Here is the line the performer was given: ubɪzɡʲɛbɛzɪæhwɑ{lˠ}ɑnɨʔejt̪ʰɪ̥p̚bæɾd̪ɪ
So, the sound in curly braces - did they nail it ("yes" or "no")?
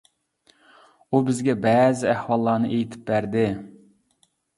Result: no